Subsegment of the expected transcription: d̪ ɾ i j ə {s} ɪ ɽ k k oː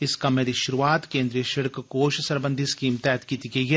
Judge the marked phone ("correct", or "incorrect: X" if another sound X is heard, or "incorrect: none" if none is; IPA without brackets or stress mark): incorrect: ʃ